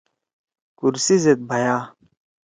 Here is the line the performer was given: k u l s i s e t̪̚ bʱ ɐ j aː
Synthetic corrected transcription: k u ɾ s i z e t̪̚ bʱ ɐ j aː